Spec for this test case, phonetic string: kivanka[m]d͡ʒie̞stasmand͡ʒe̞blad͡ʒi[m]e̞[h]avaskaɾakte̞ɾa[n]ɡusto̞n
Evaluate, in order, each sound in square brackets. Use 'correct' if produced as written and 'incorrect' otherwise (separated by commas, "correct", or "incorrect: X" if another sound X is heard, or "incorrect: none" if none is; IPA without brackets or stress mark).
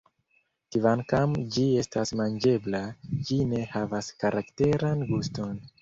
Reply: correct, incorrect: n, correct, correct